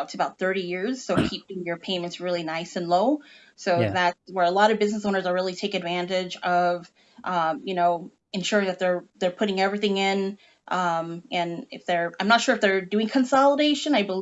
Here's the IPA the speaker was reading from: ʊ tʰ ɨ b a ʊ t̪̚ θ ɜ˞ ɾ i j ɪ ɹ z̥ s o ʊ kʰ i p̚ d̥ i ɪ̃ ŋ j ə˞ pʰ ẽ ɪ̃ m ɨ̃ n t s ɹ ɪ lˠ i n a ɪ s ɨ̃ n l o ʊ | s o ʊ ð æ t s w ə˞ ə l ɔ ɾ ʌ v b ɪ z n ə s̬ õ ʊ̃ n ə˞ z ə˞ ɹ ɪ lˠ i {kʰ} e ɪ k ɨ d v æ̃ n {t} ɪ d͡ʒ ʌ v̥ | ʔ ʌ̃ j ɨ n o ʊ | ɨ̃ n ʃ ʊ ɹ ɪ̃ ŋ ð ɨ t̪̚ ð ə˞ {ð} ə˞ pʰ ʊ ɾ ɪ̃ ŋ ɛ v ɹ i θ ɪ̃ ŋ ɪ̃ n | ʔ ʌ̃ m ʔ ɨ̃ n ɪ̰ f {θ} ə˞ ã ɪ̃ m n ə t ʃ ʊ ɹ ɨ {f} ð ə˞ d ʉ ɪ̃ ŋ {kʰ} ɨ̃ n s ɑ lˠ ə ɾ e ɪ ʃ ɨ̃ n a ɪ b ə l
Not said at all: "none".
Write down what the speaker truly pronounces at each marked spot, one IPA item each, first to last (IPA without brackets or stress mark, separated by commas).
tʰ, t, ð, ð, f, kʰ